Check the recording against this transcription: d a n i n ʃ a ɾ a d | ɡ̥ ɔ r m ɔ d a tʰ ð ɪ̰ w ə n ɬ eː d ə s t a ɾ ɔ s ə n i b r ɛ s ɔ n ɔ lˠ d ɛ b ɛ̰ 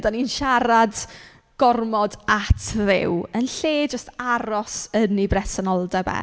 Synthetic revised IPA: d a n i n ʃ a ɾ a d | ɡ̥ ɔ r m ɔ d a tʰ ð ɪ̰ w ə n ɬ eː d͡ʒ ə s t a ɾ ɔ s ə n i b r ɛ s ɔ n ɔ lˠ d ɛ b ɛ̰